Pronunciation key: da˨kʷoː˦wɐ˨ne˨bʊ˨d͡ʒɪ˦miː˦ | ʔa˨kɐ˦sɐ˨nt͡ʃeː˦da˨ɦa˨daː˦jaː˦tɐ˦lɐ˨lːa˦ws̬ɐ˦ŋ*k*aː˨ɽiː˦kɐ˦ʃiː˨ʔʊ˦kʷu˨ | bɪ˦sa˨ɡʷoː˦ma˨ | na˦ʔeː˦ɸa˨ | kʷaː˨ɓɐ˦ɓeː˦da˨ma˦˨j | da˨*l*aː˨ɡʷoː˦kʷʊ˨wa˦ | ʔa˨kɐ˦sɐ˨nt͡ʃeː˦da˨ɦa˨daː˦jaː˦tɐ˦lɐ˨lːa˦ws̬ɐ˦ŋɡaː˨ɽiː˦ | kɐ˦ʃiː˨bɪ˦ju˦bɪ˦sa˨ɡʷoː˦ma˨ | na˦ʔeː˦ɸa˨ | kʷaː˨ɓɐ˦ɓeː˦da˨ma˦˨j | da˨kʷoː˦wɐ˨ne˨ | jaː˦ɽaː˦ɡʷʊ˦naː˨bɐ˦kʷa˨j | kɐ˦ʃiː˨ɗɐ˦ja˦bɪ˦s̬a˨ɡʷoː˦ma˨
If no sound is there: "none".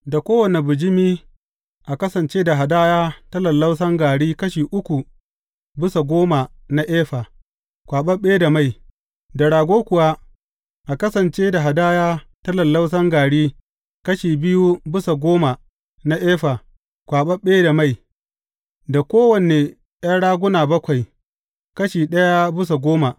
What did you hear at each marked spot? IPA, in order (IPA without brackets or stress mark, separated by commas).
ɡ, ɽ